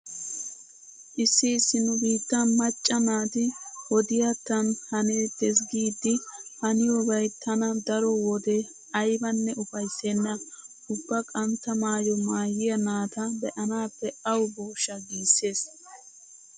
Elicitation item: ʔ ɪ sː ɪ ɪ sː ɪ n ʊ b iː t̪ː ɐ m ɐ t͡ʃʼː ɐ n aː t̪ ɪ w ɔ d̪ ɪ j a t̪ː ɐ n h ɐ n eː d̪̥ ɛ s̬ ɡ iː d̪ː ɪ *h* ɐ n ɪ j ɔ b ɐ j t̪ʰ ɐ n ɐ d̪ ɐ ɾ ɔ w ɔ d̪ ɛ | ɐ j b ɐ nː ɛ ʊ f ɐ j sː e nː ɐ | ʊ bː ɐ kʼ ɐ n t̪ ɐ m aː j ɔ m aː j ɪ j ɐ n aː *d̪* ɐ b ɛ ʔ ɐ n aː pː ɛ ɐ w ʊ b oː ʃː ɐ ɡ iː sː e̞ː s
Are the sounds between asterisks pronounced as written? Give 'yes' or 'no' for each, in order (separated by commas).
yes, no